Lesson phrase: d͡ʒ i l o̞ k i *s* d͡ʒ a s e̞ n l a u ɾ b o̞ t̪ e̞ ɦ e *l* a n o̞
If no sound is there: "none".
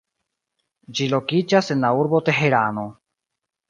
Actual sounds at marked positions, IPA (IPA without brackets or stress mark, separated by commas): none, ɾ